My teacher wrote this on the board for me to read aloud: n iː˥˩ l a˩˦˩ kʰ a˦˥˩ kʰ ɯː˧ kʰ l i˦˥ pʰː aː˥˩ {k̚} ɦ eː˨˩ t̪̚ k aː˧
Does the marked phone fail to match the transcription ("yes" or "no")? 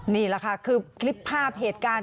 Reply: yes